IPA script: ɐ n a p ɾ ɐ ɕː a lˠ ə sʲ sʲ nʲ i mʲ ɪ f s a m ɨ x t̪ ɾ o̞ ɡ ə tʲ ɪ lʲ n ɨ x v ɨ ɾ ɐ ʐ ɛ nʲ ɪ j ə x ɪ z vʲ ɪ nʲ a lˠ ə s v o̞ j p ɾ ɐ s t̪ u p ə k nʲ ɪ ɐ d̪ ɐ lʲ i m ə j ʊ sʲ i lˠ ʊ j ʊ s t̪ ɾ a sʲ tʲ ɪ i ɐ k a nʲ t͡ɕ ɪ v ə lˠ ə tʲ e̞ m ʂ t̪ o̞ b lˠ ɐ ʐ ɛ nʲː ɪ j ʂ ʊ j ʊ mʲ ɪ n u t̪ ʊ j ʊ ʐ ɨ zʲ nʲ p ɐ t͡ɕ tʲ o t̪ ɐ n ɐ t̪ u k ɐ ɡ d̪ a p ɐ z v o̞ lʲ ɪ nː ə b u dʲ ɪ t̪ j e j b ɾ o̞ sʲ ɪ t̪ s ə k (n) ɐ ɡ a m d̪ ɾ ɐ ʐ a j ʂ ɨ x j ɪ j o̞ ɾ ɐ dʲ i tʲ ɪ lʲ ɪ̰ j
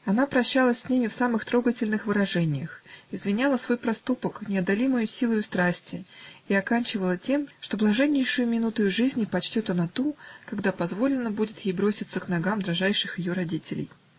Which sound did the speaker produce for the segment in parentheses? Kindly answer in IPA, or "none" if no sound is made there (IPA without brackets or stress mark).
n